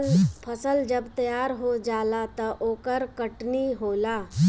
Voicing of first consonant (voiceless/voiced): voiceless